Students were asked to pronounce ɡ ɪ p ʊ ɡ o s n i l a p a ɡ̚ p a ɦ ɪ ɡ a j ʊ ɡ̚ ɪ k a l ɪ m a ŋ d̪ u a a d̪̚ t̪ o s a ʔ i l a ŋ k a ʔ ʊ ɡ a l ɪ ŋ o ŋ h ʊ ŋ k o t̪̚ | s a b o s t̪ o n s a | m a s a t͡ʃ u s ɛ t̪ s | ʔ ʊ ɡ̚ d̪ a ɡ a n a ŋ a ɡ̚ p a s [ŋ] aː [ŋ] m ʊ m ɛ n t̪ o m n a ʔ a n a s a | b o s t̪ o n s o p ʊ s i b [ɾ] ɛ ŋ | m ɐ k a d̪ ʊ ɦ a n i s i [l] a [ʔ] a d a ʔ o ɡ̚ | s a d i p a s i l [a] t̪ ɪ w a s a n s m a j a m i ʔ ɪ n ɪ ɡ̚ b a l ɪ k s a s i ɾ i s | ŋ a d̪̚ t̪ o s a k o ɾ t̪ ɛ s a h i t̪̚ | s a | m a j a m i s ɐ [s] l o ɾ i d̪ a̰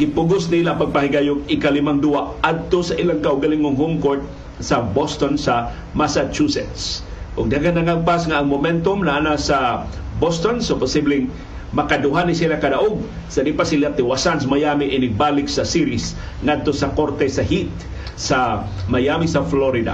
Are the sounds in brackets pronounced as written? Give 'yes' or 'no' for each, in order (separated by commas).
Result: yes, yes, no, yes, no, yes, no